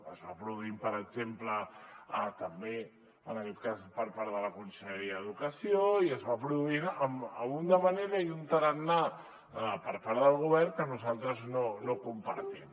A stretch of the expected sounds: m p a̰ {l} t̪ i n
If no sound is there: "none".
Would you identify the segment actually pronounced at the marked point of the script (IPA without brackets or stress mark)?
ɾ